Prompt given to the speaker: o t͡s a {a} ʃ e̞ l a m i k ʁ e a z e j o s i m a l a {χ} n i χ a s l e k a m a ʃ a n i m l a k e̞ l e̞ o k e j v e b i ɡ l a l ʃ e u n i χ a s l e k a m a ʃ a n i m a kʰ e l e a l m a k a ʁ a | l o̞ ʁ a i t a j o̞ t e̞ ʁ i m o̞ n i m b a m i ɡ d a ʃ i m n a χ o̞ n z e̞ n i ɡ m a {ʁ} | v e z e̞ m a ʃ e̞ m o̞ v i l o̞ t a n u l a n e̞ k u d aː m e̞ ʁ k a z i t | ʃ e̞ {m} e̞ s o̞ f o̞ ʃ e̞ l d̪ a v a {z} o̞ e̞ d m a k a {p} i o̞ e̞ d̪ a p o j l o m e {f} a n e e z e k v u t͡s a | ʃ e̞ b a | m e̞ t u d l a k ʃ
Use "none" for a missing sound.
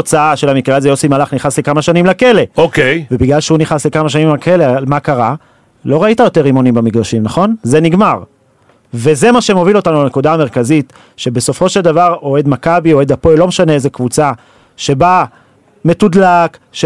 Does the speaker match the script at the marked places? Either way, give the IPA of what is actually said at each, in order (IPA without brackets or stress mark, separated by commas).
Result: a, χ, ʁ, b, ʁ, b, ʃ